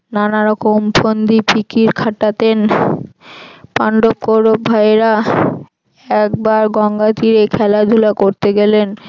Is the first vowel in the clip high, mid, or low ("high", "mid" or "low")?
low